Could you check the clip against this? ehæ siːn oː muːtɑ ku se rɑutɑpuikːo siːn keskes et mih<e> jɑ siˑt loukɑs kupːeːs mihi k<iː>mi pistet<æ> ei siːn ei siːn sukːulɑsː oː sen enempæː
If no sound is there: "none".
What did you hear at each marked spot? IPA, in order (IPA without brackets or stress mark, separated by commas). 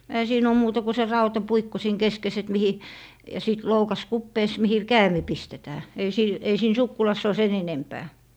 i, æː, æː